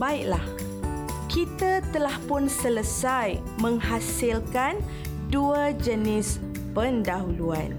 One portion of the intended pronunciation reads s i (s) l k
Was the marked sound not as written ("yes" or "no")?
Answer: yes